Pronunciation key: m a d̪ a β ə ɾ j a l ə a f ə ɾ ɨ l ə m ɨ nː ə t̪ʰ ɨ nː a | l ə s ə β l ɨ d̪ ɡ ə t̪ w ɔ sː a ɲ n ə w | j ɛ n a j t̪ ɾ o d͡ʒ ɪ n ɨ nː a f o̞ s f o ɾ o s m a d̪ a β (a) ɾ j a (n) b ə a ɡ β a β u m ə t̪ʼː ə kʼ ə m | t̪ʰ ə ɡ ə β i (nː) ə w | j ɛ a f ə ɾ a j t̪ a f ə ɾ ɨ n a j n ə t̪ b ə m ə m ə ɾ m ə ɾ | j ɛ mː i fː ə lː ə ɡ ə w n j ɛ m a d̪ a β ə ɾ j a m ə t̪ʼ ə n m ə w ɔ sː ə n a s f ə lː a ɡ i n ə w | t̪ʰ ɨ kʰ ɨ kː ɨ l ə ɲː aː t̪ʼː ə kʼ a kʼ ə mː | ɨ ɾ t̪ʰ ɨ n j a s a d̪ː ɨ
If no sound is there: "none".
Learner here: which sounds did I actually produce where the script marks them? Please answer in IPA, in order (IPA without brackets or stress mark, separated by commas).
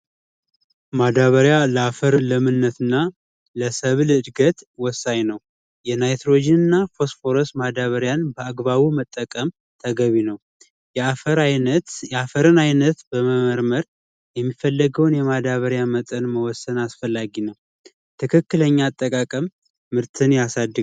ə, n, n